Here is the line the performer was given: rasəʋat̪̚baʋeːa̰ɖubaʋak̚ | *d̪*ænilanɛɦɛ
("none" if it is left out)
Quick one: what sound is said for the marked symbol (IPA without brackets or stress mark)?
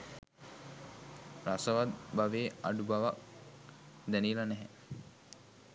d̪